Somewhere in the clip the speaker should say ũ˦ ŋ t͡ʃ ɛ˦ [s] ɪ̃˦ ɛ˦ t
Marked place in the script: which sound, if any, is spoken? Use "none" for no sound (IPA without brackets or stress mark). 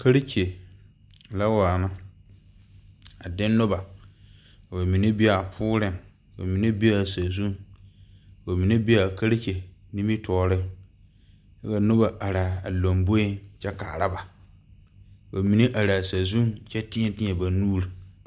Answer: t